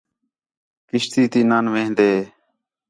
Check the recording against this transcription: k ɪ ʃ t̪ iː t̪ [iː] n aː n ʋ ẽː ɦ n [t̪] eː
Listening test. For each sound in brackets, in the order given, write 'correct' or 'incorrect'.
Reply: correct, incorrect: d̪

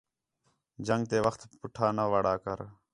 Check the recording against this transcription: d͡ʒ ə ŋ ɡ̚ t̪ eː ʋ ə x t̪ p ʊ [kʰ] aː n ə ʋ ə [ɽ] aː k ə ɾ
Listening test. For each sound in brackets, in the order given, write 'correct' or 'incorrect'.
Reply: incorrect: ʈʰ, correct

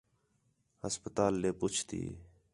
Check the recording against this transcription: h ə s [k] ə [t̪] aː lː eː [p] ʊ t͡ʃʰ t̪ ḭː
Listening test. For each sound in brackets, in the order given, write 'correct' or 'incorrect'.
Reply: incorrect: p, correct, correct

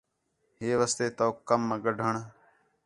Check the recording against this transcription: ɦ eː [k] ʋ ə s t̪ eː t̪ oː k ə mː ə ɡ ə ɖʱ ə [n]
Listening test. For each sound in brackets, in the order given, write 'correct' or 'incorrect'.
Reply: incorrect: none, incorrect: ɳ

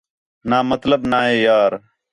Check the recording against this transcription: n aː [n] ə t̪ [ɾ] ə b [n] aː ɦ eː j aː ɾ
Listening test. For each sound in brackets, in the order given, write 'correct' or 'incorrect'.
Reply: incorrect: m, incorrect: l, correct

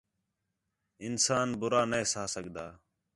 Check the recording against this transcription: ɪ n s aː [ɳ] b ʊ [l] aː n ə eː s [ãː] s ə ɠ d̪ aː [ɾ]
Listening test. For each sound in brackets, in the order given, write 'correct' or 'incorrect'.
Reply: incorrect: n, incorrect: ɾ, incorrect: aː, incorrect: none

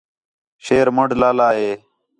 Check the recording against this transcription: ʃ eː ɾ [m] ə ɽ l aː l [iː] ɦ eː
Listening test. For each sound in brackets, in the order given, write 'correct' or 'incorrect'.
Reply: correct, incorrect: aː

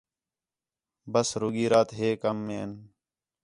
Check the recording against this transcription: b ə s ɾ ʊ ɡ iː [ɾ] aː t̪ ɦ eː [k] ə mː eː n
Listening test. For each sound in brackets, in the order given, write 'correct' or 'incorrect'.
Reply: correct, correct

